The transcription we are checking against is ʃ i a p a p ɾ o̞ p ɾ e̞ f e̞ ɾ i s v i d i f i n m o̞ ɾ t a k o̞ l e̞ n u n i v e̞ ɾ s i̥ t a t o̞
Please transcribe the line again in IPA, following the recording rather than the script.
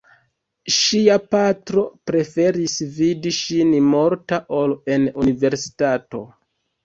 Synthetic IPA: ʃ i a p a t ɾ o̞ p ɾ e̞ f e̞ ɾ i s v i d i ʃ i n m o̞ ɾ t a ʔ o̞ l e̞ n u n i v e̞ ɾ s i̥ t a t o̞